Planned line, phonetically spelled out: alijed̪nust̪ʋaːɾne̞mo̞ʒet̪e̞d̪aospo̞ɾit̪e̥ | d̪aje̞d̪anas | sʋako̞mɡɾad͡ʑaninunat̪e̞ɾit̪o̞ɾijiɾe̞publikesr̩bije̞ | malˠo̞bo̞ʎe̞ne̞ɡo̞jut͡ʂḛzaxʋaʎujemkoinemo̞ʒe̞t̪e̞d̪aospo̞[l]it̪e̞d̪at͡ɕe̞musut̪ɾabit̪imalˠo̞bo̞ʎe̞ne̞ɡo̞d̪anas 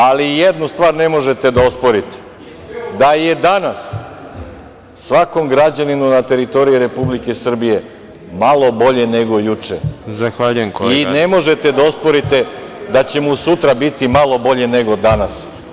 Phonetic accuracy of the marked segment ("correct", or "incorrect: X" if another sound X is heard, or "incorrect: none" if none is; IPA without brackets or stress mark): incorrect: ɾ